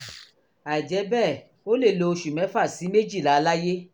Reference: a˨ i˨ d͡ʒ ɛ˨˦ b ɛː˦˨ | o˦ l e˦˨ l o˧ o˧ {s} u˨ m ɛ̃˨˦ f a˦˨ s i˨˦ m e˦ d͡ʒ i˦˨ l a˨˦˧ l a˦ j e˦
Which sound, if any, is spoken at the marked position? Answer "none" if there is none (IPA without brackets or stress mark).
ʃ